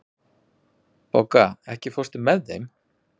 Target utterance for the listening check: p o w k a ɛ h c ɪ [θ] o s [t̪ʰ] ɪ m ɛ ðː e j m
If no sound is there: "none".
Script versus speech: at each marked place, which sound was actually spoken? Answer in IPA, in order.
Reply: f, t̪

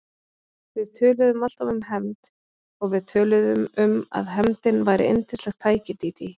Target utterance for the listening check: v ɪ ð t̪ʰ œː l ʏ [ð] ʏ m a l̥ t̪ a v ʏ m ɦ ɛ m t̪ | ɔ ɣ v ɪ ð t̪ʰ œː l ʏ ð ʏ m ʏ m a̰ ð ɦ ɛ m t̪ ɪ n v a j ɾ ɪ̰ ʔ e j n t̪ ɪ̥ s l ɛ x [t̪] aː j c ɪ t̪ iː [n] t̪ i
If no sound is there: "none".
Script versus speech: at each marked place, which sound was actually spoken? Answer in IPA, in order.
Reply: ð, t̪ʰ, none

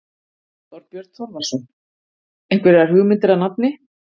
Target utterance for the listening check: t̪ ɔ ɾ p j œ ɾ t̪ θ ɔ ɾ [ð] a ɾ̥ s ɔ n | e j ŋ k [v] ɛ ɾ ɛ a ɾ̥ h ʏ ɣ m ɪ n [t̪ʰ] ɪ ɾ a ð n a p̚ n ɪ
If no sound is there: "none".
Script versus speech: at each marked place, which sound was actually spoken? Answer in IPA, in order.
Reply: v, v, t̪

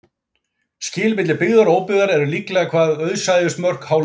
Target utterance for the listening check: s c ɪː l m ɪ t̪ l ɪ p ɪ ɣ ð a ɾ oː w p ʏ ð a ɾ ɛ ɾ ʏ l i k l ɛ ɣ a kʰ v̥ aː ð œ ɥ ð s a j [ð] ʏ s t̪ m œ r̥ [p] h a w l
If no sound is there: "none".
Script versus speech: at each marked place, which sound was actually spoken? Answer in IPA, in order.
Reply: ð, k

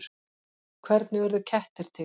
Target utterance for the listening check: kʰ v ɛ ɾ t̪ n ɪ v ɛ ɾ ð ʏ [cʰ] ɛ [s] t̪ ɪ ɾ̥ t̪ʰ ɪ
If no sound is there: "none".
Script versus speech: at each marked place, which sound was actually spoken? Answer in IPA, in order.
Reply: cʰ, h

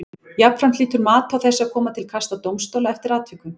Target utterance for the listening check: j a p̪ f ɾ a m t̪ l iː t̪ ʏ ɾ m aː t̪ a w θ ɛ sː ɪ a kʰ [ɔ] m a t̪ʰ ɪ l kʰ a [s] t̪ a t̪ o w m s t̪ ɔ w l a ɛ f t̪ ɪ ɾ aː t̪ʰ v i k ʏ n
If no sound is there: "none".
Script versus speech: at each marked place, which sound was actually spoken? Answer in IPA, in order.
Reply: ɔː, s

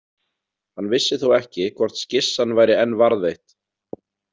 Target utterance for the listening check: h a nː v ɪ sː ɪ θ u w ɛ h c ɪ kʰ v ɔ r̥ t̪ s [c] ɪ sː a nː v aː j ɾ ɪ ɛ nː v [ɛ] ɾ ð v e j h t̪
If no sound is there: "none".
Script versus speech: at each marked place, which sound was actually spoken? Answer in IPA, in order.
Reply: c, a

